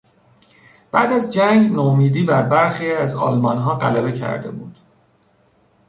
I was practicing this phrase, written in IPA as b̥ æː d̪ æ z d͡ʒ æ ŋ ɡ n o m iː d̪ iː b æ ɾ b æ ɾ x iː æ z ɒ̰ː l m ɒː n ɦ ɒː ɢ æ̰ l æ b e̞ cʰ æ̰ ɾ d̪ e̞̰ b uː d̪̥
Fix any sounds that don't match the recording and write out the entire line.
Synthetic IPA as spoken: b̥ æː d̪ æ z d͡ʒ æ ŋ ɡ n o m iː d̪ iː b æ ɾ b æ ɾ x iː æ z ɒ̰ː l m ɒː n ɦ ɒː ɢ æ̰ l æ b e̞ cʰ æ̰ ɾ d̪ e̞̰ b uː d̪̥